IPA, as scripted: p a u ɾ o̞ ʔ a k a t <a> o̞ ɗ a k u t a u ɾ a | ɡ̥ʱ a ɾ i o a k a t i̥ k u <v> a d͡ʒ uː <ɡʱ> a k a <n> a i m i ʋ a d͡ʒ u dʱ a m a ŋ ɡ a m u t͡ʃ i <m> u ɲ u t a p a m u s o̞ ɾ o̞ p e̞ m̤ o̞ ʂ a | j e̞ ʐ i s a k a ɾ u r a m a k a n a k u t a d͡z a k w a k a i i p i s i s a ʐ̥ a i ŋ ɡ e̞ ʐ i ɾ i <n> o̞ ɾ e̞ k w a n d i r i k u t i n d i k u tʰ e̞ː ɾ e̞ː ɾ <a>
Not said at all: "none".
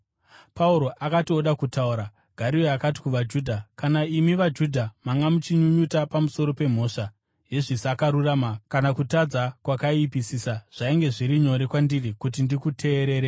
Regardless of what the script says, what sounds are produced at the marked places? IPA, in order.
i, ʋ, dʱ, n, ɲ, ɲ, e

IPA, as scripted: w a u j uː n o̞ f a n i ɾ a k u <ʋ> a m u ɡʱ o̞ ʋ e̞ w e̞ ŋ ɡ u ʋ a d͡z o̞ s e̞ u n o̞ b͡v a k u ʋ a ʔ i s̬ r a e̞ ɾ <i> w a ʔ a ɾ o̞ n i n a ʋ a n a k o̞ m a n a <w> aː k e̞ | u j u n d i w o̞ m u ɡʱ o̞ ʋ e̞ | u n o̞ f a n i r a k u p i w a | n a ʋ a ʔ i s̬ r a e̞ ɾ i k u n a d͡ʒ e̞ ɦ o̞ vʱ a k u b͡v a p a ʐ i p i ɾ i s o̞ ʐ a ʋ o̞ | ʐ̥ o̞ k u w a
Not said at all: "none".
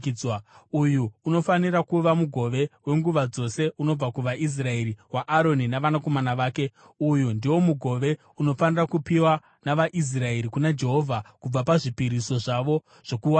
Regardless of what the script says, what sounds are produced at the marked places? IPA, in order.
ʋ, i, ʋ

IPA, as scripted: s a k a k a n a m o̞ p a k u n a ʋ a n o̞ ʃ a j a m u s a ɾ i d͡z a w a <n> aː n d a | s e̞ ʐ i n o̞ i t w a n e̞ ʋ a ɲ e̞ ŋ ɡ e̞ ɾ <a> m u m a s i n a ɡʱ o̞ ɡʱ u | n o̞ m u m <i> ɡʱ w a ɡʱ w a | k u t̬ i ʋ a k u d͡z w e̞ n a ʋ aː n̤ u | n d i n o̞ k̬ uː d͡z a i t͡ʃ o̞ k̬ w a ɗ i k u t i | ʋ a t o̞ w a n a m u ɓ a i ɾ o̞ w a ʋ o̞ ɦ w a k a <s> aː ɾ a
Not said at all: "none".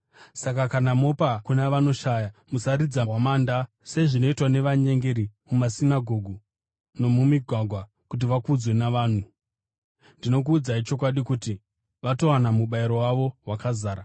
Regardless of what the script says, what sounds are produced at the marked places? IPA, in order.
m, i, i, z

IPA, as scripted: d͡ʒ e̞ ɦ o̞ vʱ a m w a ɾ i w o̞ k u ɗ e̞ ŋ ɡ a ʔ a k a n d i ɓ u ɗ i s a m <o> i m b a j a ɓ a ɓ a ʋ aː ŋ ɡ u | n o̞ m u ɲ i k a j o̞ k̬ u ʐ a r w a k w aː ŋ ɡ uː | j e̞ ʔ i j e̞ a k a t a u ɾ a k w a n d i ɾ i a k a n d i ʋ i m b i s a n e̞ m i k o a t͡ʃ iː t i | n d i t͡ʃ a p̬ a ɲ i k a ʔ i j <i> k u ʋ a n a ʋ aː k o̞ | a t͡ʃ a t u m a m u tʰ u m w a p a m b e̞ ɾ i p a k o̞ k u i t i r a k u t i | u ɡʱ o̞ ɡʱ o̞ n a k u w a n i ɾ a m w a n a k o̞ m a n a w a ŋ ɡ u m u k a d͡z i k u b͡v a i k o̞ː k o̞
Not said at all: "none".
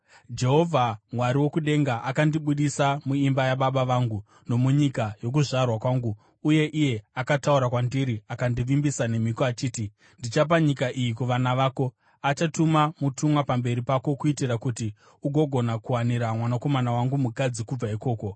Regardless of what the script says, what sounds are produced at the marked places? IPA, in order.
u, i

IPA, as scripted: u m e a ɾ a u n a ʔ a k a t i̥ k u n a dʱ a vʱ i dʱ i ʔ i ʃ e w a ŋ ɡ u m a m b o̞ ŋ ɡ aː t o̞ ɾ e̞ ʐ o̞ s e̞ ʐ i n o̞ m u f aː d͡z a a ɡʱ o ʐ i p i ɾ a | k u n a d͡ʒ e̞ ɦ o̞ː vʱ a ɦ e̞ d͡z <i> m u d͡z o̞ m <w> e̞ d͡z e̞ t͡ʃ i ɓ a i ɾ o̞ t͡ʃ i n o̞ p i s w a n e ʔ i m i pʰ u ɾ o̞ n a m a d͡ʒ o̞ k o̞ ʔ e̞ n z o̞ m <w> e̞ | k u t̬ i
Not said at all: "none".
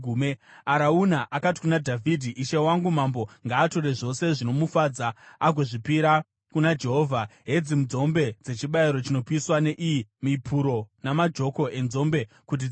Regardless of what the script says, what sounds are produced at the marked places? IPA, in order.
i, b, b

